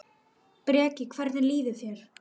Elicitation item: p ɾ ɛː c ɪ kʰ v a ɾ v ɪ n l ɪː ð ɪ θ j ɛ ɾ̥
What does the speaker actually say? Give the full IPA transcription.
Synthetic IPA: p ɾ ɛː c ɪ kʰ v ɛ ɾ ð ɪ n l iː ð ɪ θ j ɛ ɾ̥

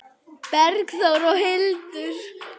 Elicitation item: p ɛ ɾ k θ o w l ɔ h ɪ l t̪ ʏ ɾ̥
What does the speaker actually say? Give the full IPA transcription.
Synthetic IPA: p ɛ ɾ k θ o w ɾ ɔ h ɪ l t̪ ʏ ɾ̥

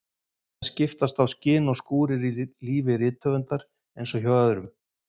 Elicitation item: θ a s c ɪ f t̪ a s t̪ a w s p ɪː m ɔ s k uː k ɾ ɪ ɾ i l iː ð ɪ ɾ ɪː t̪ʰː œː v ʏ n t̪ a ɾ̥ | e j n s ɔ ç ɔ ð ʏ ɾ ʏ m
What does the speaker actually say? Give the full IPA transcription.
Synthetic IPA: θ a s c ɪ f t̪ a s t̪ a w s c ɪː n ɔ s k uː ɾ ɪ ɾ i l iː v ɪ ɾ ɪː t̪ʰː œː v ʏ n t̪ a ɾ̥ | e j n s ɔ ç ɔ ð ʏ ɾ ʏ m

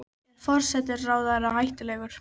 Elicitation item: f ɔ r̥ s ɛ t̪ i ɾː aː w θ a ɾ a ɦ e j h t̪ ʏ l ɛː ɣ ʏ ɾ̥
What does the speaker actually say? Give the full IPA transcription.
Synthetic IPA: f ɔ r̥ s ɛ t̪ ɪ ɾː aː w ð a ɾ a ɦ a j h t̪ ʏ l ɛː ɣ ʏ ɾ̥

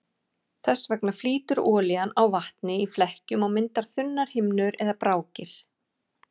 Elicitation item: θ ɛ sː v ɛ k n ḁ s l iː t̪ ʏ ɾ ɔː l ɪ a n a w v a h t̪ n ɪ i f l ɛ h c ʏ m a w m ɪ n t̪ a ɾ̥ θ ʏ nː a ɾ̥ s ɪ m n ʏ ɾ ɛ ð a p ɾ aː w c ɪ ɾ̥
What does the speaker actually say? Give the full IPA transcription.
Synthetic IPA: θ ɛ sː v ɛ k n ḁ f l iː t̪ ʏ ɾ ɔː l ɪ a n a w v a h t̪ n ɪ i f l ɛ h c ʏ m a w m ɪ n t̪ a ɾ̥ θ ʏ nː a ɾ̥ h ɪ m n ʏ ɾ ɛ ð a p ɾ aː w c ɪ ɾ̥

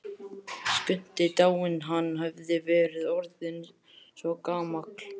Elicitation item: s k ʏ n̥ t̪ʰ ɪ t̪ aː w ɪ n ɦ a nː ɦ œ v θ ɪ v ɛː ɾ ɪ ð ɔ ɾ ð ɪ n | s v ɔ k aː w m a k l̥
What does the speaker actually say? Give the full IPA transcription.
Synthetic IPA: s k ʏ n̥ t̪ ɪ t̪ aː w ɪ n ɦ a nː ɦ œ v ð ɪ v ɛː ɾ ɪ ð ɔ ɾ ð ɪ n | s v ɔ k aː m a k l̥

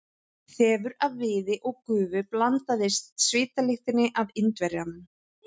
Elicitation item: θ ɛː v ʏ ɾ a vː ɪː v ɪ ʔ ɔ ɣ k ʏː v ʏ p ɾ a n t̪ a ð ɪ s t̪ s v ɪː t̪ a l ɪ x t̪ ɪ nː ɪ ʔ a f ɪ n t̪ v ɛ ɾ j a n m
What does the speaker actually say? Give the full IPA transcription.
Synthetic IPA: θ ɛː v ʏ ɾ a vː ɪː ð ɪ ʔ ɔ ɣ k ʏː v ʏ p l a n t̪ a ð ɪ s t̪ s v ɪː t̪ a l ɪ x t̪ ɪ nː ɪ ʔ a v ɪ n t̪ v ɛ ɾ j a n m

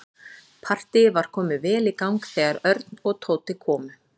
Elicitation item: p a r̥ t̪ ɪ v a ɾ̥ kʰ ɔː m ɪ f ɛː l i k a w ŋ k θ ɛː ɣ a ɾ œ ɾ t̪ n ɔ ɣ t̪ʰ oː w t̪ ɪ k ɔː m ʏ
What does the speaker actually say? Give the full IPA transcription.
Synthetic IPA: pʰ a r̥ t̪ ɪ v a ɾ̥ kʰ ɔː m ɪ v ɛː l i k a w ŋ k θ ɛː ɣ a ɾ œ ɾ t̪ n ɔ ɣ t̪ʰ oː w t̪ ɪ kʰ ɔː m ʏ

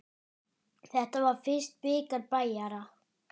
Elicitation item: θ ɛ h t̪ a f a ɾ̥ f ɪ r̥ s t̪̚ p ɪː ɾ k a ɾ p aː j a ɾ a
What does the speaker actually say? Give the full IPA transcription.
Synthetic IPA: θ ɛ h t̪ a v a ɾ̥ f ɪ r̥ s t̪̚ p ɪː k a ɾ p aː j a ɾ a

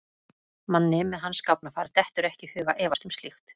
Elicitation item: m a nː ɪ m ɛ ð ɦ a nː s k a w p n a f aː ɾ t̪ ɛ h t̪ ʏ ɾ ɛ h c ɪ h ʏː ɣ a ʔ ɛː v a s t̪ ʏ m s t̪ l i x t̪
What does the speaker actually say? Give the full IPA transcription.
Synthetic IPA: m a nː ɪ m ɛ ð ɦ a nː s k a w p n a f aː ɾ t̪ ɛ h t̪ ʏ ɾ ɛ h c ɪ h ʏː ɣ a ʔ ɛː v a s t̪ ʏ m s t̪ l i x t̪

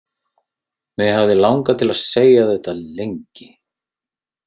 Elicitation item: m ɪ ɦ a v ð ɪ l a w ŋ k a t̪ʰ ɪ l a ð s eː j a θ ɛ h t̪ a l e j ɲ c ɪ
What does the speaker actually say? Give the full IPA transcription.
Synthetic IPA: m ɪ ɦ a v ð ɪ l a w ŋ k a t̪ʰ ɪ l a ð s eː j a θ ɛ h t̪ a l e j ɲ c ɪ

